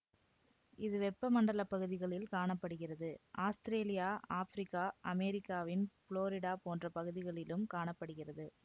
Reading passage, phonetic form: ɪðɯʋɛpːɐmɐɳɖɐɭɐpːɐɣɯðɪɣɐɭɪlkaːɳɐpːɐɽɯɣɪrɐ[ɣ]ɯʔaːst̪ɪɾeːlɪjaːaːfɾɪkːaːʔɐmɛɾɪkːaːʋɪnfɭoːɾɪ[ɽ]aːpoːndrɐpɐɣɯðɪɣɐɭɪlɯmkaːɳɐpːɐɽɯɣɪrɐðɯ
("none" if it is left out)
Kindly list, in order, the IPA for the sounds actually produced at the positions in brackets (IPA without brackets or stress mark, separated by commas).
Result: ð, ɽ